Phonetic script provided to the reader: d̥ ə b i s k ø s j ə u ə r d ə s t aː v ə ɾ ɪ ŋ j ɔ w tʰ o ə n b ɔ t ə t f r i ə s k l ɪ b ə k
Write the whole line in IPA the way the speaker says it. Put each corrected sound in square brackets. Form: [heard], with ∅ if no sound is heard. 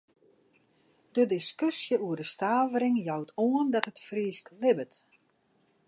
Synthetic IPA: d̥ ə [d] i s k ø s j ə u ə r d ə s t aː v ə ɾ ɪ ŋ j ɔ w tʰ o ə n [d] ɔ t ə t f r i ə s k l ɪ b ə [t]